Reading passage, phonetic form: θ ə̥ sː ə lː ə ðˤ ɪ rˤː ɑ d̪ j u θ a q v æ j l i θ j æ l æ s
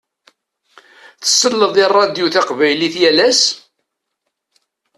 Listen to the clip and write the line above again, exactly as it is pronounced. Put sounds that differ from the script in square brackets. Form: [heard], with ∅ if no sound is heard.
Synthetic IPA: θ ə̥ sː ə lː ə ðˤ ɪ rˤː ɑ d̪ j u θ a q v æ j l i θ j æ l æ s